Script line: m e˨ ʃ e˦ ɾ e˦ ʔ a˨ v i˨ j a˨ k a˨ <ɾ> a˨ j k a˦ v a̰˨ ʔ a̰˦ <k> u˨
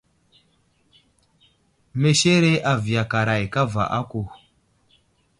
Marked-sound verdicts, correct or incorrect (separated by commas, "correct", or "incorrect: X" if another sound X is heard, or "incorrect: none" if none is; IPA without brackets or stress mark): correct, correct